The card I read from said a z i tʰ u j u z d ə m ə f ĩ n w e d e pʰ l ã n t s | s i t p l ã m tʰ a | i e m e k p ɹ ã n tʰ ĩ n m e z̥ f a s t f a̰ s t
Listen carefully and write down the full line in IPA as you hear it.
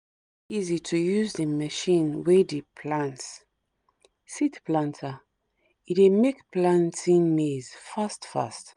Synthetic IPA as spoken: i z i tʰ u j u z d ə m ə ʃ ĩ n w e d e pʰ l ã n t s | s i t p l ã n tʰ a | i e m e k p l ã n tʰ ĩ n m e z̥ f a s t f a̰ s t